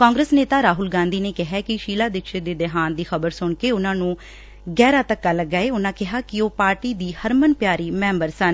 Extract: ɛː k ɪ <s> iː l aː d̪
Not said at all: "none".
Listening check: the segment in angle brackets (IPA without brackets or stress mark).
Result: ʃ